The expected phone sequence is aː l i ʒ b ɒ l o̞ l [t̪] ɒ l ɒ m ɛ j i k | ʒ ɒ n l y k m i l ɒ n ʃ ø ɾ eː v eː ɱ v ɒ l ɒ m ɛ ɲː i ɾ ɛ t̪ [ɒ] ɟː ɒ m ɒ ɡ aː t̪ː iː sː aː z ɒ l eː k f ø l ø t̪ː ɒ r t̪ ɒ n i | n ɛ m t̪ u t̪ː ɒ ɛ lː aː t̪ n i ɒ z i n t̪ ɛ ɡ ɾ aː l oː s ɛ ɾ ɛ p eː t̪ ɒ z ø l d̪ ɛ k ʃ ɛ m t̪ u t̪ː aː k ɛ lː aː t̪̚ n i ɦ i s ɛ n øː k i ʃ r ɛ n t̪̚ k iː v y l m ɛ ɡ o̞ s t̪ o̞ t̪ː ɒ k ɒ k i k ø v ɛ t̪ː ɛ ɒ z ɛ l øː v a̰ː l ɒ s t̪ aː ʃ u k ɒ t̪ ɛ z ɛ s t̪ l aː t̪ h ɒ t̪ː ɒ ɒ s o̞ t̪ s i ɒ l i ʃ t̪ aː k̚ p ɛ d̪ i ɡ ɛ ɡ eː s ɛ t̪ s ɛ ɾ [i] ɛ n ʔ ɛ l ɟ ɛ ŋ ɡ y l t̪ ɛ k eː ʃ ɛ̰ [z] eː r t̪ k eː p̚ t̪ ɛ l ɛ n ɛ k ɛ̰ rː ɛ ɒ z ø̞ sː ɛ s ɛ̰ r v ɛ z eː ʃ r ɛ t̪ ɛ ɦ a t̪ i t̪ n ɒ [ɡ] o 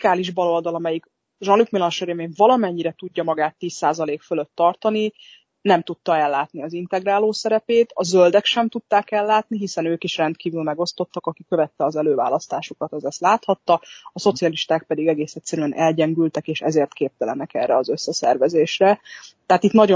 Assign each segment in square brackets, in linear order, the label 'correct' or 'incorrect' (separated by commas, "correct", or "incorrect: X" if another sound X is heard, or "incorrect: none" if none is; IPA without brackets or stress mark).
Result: incorrect: d̪, incorrect: u, incorrect: y, correct, incorrect: ɟ